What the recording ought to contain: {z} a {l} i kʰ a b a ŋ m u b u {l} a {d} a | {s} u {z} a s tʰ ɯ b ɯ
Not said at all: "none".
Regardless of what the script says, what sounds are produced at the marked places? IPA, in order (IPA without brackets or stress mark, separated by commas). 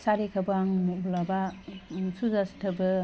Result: s, ɾ, l, b, s, z